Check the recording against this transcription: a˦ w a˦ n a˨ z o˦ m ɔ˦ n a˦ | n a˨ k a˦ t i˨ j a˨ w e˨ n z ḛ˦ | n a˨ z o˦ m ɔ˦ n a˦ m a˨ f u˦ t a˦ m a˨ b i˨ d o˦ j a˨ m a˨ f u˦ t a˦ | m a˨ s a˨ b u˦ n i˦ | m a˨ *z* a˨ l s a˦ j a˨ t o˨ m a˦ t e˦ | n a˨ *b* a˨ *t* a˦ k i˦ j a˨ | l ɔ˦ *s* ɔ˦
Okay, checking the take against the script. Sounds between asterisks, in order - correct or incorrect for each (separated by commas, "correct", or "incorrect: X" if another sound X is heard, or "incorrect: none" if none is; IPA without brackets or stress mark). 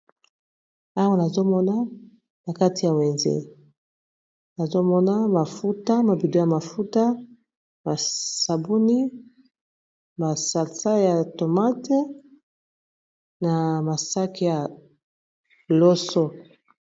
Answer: incorrect: s, incorrect: m, incorrect: s, correct